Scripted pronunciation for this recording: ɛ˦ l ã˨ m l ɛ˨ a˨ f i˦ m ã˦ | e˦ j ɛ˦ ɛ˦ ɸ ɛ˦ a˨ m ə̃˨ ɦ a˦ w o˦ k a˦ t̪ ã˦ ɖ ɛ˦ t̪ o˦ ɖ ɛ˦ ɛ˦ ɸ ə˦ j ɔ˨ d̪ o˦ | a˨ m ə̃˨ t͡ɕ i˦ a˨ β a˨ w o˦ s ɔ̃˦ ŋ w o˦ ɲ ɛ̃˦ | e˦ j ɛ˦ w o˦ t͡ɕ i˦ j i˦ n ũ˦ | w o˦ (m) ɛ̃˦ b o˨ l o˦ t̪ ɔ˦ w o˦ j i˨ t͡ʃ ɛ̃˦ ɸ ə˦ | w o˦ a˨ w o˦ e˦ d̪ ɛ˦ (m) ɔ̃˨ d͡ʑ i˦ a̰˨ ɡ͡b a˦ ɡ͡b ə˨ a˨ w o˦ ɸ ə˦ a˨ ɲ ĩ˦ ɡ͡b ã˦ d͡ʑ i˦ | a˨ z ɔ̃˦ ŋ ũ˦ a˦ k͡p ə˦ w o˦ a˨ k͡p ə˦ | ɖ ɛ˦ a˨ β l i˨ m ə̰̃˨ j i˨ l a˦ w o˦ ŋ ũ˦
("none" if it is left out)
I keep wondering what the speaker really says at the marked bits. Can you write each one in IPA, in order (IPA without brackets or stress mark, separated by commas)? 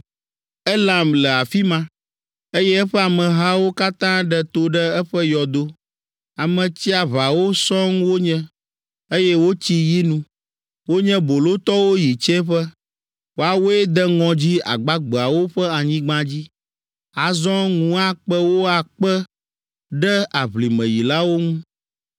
ɲ, ŋ